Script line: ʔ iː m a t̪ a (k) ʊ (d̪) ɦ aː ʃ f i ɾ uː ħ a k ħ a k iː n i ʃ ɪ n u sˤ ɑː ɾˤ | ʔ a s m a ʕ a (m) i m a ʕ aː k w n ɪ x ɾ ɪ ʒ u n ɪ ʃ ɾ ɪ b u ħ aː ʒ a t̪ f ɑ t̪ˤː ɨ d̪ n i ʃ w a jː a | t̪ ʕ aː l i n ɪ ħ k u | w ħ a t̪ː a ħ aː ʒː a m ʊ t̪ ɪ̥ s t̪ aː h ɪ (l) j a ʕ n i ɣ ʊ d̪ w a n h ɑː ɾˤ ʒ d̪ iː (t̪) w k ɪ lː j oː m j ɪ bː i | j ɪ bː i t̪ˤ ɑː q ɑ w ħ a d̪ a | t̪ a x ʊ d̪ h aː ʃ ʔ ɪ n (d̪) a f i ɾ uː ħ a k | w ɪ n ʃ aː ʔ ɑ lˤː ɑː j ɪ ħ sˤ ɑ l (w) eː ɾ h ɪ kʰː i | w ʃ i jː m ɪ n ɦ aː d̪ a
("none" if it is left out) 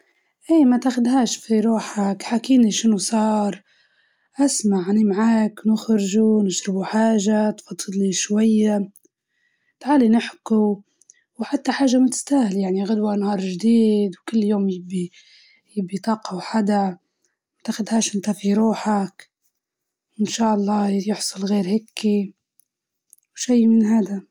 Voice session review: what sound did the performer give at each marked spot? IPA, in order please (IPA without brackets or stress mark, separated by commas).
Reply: x, d̪, n, l, d̪, t̪, ɣ